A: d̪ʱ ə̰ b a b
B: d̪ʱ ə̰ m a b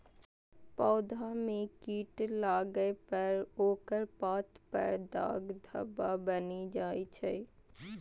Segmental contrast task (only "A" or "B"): A